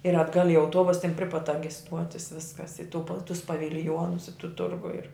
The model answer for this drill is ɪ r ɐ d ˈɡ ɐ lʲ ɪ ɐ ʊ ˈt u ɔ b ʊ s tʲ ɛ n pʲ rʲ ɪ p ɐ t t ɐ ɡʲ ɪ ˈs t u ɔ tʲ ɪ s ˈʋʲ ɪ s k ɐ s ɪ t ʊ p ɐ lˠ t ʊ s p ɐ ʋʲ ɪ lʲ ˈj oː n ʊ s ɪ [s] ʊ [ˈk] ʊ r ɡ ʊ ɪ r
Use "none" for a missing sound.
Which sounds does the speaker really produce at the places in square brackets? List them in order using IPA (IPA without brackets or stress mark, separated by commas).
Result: t, t